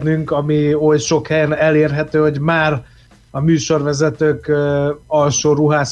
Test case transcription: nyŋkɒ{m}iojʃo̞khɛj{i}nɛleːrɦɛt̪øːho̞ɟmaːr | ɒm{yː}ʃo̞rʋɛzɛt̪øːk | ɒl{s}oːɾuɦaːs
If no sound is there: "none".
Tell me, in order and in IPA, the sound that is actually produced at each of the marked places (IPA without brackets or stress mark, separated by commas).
m, ɛ, yː, ʃ